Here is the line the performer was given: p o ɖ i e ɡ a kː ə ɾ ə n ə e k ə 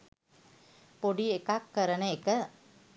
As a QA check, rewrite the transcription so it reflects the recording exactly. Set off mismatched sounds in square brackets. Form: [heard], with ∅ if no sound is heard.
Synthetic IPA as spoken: p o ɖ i e [k] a kː ə ɾ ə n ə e k ə